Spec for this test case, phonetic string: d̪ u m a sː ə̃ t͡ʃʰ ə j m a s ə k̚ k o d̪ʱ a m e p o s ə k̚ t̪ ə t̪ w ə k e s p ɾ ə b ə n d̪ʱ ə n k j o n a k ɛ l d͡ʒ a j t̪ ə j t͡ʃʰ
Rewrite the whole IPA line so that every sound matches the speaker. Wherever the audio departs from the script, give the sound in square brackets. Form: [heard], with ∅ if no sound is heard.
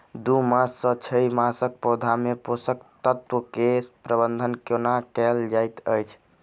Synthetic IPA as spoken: d̪ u m a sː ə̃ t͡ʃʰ ə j m a s ə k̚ [p] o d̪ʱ a m e p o s ə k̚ t̪ ə t̪ w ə k e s p ɾ ə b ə n d̪ʱ ə n k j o n a k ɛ l d͡ʒ a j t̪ ə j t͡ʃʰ